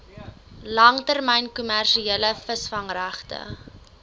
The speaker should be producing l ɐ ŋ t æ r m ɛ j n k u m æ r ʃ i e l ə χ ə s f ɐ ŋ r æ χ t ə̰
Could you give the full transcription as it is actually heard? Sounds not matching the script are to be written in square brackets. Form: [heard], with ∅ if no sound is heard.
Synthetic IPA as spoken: l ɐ ŋ t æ r m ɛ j n k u m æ r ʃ i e l ə [f] ə s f ɐ ŋ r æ χ t ə̰